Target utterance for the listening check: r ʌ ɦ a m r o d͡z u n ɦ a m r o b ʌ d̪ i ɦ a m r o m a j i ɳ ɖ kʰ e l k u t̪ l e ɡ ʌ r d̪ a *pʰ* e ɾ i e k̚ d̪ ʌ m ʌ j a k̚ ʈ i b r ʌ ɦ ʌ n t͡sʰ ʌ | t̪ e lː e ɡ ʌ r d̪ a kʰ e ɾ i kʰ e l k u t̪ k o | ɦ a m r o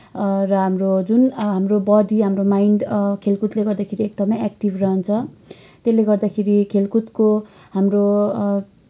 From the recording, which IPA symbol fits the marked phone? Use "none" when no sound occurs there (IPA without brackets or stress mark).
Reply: kʰ